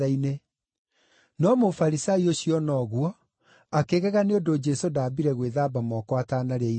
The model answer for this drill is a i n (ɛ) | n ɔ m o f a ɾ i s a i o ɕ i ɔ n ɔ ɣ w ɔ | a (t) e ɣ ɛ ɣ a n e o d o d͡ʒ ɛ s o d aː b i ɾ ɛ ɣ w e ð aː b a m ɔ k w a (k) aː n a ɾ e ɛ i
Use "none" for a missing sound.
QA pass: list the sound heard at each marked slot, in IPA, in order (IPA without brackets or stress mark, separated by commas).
e, k, t